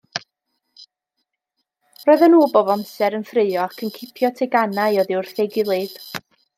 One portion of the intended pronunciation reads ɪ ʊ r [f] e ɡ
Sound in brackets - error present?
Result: yes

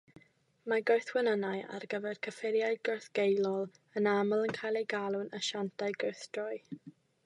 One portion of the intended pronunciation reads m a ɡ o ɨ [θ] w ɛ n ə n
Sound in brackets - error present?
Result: no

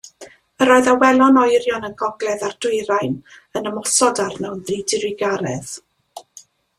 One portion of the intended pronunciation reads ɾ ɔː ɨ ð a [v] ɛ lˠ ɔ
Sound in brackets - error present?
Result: yes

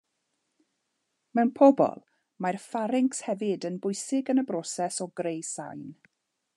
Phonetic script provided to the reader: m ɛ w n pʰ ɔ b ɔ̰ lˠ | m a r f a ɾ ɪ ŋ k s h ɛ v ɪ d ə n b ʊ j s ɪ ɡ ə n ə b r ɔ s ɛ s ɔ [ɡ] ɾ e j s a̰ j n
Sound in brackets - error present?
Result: no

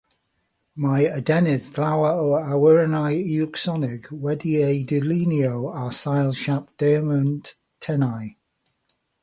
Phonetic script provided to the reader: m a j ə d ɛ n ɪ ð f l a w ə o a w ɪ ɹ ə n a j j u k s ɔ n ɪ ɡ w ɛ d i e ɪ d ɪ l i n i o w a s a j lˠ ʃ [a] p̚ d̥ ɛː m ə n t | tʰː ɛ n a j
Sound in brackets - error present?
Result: no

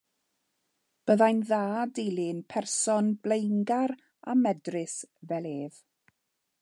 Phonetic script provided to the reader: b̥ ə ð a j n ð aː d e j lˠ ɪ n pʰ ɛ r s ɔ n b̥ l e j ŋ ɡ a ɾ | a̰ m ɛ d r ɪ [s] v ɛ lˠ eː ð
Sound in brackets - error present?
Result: no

